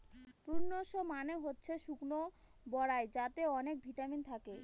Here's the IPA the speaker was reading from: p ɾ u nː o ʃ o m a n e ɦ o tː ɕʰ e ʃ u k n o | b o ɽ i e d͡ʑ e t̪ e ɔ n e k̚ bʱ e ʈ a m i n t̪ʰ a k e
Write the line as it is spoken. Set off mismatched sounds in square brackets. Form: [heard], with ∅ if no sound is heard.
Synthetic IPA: p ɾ u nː o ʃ o m a n e ɦ o tː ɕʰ e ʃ u k n o | b [ɔ] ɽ [a] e d͡ʑ [a] t̪ e ɔ n e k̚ bʱ [i] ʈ a m i n t̪ʰ a k e